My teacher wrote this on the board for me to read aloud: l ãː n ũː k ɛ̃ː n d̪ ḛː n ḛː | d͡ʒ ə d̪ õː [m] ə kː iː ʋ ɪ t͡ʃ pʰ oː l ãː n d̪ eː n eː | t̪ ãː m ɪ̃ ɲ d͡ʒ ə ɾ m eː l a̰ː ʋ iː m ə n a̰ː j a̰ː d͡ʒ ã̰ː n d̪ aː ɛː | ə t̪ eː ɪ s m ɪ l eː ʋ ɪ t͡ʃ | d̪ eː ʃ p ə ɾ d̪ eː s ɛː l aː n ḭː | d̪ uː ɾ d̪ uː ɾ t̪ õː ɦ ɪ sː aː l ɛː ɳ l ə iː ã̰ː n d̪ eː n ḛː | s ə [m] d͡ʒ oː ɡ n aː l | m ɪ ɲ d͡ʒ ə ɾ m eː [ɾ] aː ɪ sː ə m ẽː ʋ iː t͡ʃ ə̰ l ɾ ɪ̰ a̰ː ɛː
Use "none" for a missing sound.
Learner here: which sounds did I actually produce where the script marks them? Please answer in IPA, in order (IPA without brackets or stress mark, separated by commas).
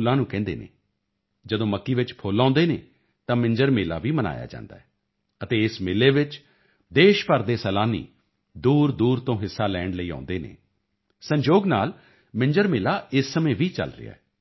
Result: m, ɲ, l